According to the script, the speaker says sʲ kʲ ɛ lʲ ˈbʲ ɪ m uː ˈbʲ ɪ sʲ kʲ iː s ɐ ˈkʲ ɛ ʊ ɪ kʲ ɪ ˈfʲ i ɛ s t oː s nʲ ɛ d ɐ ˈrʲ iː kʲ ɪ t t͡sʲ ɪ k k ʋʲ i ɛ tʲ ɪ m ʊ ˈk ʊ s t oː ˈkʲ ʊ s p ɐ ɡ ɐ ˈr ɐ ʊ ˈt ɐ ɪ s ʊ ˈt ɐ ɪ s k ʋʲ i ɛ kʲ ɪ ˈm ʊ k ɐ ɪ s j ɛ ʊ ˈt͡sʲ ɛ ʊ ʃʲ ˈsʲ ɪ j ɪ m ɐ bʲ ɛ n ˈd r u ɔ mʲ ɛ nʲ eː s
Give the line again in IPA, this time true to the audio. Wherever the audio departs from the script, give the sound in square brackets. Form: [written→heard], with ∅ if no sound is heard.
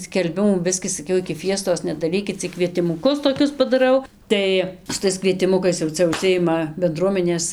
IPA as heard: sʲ kʲ ɛ lʲ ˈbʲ ɪ m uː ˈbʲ ɪ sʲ kʲ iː s ɐ ˈkʲ ɛ ʊ ɪ kʲ ɪ ˈfʲ i ɛ s t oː s nʲ ɛ d ɐ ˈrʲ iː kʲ ɪ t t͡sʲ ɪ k k ʋʲ i ɛ tʲ ɪ m ʊ ˈk ʊ s t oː ˈkʲ ʊ s p ɐ [ɡ→d] ɐ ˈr ɐ ʊ ˈt ɐ ɪ s ʊ ˈt ɐ ɪ s k ʋʲ i ɛ [kʲ→tʲ] ɪ ˈm ʊ k ɐ ɪ s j ɛ ʊ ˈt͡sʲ ɛ ʊ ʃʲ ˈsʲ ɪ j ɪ m ɐ bʲ ɛ n ˈd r u ɔ mʲ ɛ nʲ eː s